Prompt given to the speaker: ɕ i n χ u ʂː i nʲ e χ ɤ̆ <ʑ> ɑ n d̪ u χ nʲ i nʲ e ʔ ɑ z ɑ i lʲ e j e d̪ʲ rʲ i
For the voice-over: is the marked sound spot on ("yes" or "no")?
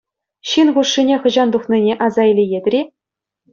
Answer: yes